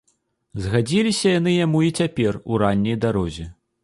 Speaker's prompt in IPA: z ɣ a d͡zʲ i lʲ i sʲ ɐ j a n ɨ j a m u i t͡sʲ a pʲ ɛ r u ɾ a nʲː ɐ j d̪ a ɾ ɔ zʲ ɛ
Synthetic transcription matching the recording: z ɣ a d͡zʲ i lʲ i sʲ ɐ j a n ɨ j a m u i t͡sʲ a pʲ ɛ r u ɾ a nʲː ɐ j d̪ a ɾ ɔ zʲ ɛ